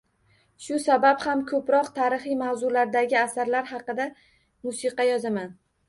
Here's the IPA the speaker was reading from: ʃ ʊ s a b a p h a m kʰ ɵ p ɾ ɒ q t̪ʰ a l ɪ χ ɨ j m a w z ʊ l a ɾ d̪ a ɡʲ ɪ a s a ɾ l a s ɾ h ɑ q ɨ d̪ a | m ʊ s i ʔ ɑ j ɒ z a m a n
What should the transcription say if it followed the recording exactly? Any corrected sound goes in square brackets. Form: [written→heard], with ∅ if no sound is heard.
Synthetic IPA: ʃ ʊ s a b a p h a m kʰ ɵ p ɾ ɒ q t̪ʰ a [l→ɾ] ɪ χ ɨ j m a w z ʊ l a ɾ d̪ a ɡʲ ɪ a s a ɾ l a [s→∅] ɾ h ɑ q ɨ d̪ a | m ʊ s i [ʔ→q] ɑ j ɒ z a m a n